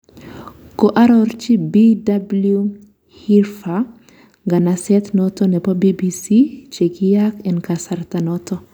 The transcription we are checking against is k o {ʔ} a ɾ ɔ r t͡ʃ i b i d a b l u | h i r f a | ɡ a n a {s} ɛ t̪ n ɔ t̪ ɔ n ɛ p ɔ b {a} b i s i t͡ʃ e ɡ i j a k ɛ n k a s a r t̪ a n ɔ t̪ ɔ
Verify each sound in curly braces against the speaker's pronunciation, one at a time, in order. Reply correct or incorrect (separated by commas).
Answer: correct, correct, incorrect